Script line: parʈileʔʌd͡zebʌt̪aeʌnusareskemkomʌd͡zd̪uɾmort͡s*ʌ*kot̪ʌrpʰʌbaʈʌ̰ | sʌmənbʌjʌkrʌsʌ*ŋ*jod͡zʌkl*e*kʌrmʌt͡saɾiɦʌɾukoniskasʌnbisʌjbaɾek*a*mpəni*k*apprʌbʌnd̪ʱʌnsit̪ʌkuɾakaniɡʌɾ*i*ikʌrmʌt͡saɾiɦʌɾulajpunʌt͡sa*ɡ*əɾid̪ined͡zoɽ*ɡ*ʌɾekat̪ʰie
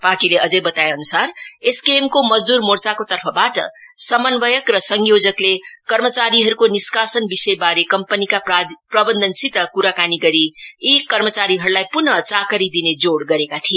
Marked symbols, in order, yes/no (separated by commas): no, yes, yes, no, yes, yes, no, yes